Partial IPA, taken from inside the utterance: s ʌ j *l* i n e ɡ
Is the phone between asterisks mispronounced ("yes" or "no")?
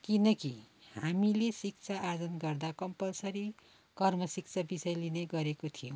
no